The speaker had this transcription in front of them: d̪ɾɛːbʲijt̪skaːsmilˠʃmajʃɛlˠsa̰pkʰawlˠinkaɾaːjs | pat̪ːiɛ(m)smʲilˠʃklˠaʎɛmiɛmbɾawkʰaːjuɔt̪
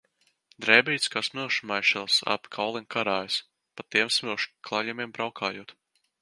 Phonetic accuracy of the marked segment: correct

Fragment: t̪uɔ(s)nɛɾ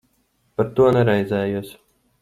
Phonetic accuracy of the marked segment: incorrect: none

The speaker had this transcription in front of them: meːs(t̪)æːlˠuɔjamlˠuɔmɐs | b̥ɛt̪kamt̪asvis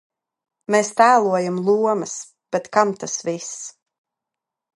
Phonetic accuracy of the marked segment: correct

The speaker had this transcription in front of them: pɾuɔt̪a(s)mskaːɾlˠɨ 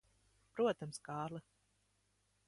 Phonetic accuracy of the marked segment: incorrect: none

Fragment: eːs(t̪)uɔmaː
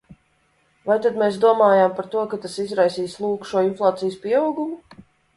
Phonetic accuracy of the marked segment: incorrect: d̪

